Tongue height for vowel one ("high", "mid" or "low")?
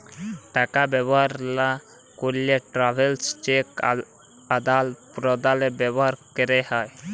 low